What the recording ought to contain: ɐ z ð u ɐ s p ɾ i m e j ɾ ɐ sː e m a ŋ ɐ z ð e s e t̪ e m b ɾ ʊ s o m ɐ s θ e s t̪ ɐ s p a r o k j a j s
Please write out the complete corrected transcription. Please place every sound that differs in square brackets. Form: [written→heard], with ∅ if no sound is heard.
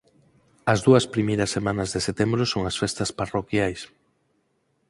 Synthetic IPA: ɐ z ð u ɐ s p ɾ i m e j ɾ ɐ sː e m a [ŋ→n] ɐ z ð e s e t̪ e m b ɾ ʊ s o [m→ŋ] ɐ s [θ→f] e s t̪ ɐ s p a r o k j a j s